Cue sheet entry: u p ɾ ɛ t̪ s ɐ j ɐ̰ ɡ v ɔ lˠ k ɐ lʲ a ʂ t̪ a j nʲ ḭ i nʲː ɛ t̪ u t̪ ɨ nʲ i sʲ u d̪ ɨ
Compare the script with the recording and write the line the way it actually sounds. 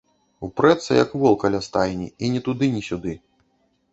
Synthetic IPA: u p ɾ ɛ t̪ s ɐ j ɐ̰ k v ɔ lˠ k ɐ lʲ a s t̪ a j nʲ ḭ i nʲ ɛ t̪ u d̪ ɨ nʲ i sʲ u d̪ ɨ